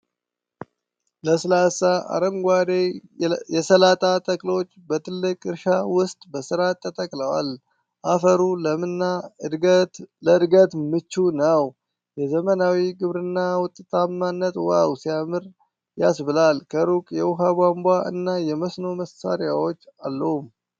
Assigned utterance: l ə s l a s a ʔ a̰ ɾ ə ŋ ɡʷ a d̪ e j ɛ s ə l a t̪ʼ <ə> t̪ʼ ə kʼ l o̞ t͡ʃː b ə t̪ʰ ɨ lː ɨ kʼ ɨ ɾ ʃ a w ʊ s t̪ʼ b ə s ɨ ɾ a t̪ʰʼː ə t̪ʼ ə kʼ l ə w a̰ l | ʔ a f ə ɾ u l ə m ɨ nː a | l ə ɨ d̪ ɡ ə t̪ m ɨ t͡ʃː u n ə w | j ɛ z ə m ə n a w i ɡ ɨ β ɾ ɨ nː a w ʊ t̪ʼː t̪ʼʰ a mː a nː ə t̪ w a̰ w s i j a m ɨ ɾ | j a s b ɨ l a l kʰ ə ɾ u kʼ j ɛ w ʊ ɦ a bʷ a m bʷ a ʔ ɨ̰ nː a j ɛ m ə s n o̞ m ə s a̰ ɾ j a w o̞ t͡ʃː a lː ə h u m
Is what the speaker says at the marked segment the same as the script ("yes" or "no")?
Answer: no